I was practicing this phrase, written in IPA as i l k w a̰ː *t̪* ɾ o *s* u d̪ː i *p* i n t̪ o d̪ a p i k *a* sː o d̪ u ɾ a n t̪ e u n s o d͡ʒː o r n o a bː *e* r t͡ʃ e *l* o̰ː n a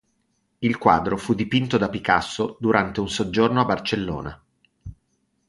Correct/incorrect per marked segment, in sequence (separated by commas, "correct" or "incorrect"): incorrect, incorrect, correct, correct, incorrect, incorrect